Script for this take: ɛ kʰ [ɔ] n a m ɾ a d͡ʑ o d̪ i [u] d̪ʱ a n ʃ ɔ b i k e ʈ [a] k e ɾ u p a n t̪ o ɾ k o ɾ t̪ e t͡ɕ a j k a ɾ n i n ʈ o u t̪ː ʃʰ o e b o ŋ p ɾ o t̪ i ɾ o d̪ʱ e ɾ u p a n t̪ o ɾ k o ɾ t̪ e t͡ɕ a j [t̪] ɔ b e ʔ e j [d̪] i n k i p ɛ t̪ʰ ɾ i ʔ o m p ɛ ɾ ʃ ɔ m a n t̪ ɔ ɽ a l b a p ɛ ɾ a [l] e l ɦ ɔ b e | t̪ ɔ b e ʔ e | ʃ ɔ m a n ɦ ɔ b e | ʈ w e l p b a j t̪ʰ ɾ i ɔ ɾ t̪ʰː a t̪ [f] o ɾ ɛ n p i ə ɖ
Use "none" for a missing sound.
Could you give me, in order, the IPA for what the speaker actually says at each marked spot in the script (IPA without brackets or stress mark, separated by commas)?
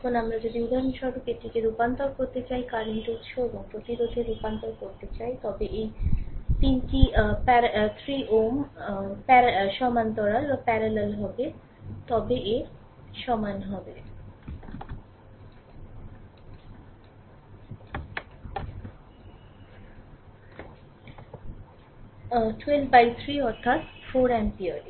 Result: o, u, i, t̪, t̪, l, f